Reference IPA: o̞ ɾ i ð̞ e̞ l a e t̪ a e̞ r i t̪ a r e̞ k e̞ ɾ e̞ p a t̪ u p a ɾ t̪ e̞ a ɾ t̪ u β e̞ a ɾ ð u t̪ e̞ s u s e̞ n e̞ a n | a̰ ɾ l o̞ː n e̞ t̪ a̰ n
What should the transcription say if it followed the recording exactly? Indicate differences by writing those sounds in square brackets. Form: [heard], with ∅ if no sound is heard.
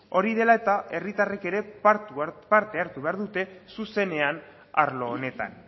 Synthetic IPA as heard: o̞ ɾ i ð̞ e̞ l a e t̪ a e̞ r i t̪ a r e̞ k e̞ ɾ e̞ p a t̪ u p a ɾ t̪ e̞ a ɾ t̪ u β e̞ a ɾ ð u t̪ e̞ s u s e̞ n e̞ a n | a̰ ɾ l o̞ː n e̞ t̪ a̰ n